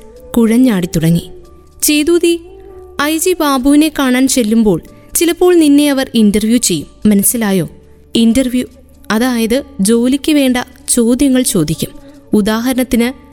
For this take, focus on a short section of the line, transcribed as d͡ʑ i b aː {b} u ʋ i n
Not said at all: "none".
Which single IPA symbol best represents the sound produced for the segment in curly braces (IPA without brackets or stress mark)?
b